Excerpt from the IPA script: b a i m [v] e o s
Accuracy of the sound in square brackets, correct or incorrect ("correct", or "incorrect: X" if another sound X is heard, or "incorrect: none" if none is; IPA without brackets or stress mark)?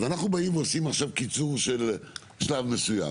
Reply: correct